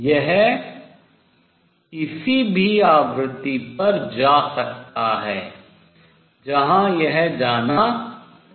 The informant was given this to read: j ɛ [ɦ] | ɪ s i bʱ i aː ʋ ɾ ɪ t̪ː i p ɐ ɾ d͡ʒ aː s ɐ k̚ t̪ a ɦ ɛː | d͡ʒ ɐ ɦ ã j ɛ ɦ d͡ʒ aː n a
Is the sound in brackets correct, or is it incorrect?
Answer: correct